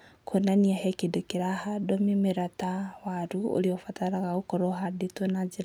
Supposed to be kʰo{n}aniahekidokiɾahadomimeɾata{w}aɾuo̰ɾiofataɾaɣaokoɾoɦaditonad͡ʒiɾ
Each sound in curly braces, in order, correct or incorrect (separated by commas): correct, correct